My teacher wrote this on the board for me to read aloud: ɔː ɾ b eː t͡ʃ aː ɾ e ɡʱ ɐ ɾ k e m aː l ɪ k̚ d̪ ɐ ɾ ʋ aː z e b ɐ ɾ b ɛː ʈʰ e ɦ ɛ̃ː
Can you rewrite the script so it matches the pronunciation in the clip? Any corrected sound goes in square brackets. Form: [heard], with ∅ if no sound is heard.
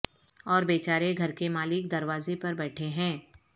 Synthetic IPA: ɔː ɾ b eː t͡ʃ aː ɾ e ɡʱ ɐ ɾ k e m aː l ɪ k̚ d̪ ɐ ɾ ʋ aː z e [p] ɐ ɾ b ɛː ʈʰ e ɦ ɛ̃ː